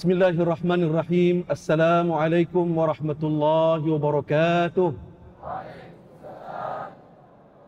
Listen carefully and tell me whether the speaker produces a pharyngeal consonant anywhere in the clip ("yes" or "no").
yes